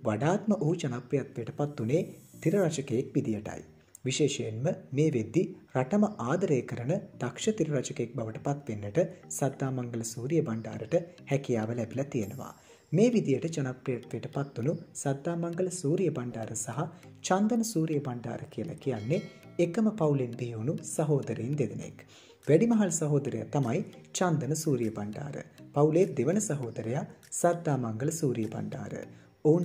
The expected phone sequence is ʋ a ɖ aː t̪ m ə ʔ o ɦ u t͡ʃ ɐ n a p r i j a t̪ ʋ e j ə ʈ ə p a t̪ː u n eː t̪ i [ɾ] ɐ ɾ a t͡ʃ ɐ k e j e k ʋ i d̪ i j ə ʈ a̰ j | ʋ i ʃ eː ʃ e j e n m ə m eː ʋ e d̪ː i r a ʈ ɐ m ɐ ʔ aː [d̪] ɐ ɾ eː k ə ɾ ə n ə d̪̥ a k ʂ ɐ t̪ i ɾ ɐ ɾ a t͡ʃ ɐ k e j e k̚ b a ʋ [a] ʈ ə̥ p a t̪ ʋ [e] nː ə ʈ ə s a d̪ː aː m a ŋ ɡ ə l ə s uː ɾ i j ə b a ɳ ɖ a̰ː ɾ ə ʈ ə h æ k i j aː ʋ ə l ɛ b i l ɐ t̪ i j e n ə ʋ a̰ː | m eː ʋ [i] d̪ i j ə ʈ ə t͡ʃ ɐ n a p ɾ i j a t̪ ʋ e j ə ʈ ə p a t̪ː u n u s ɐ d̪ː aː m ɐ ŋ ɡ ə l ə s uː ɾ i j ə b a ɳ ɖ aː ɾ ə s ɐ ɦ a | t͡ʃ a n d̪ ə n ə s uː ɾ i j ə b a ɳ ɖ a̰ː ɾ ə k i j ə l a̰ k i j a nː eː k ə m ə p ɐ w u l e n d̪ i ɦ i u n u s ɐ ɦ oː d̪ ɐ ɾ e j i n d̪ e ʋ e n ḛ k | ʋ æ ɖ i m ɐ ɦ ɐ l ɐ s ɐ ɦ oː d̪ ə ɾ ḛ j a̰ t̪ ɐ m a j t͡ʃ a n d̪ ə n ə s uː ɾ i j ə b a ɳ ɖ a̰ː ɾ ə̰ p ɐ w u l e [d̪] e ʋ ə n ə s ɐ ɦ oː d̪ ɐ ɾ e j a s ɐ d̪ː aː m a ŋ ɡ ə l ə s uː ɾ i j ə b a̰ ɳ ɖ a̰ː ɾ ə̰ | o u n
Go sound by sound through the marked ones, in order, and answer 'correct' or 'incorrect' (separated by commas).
correct, correct, incorrect, correct, correct, correct